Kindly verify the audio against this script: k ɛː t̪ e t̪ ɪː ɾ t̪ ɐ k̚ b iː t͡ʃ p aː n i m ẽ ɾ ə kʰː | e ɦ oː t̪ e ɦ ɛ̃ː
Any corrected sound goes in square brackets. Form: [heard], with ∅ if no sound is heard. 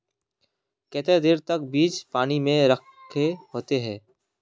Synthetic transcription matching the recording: k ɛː t̪ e [d̪] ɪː ɾ t̪ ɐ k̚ b iː t͡ʃ p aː n i m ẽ ɾ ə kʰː | e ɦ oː t̪ e ɦ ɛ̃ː

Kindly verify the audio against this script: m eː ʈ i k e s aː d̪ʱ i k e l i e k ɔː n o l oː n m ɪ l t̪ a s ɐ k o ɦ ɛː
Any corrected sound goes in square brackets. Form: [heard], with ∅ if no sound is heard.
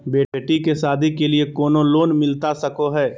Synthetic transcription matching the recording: [b] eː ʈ i k e s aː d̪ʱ i k e l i e k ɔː n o l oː n m ɪ l t̪ a s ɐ k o ɦ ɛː

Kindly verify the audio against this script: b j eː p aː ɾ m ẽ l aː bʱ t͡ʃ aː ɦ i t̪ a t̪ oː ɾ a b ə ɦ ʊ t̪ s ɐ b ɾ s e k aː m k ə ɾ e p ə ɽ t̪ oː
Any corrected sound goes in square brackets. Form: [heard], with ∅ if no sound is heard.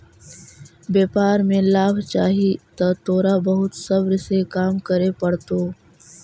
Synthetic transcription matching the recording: b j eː p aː ɾ m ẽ l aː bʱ t͡ʃ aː ɦ i t̪ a t̪ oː ɾ a b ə ɦ ʊ t̪ s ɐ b ɾ s e k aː m k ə ɾ e p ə ɽ t̪ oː

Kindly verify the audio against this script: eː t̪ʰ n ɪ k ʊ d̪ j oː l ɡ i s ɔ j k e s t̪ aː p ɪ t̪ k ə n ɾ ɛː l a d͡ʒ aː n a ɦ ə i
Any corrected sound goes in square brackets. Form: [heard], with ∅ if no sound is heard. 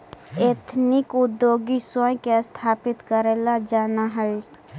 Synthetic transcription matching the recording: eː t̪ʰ n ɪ k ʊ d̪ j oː [∅] ɡ i s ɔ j k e s [t̪ʰ] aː p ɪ t̪ k ə [∅] ɾ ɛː l a d͡ʒ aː n a ɦ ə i

